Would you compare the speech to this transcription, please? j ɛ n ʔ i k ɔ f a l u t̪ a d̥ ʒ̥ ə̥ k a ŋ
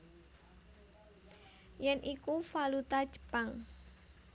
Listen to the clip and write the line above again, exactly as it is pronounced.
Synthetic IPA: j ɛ n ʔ i k u f a l u t̪ a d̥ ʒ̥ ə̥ p a ŋ